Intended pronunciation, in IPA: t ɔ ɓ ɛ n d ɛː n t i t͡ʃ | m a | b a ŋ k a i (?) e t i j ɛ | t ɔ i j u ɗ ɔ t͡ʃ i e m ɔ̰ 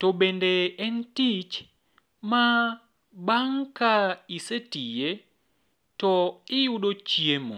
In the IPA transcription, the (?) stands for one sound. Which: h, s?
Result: s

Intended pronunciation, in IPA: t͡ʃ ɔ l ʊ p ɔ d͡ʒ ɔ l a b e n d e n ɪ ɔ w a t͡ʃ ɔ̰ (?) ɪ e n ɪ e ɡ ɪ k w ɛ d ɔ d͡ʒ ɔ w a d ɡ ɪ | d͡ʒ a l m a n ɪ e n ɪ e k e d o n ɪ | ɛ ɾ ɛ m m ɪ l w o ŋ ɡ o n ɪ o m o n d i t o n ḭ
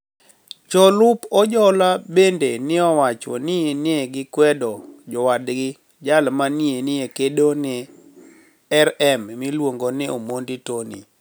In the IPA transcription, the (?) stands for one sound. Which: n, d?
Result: n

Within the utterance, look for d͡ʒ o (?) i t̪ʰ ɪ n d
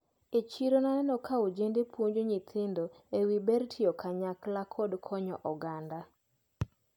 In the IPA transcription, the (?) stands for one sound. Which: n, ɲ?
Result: ɲ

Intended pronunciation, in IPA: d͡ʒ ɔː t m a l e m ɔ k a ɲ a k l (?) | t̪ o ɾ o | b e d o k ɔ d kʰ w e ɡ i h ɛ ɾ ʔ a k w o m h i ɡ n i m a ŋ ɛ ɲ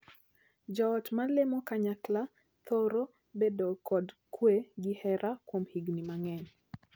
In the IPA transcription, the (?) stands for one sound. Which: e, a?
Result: a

